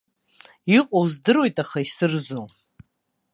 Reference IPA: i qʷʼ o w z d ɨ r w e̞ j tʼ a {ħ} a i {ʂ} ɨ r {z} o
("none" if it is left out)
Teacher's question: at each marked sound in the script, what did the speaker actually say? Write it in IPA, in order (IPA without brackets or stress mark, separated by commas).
χ, s, z